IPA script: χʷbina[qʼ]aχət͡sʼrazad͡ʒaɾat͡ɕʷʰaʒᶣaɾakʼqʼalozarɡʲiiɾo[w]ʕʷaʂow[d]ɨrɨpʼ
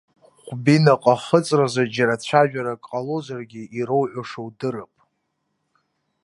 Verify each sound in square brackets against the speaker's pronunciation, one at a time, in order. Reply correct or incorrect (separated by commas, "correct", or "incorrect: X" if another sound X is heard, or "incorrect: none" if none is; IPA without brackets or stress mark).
correct, correct, correct